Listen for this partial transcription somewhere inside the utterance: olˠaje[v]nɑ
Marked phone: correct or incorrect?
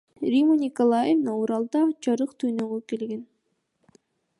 correct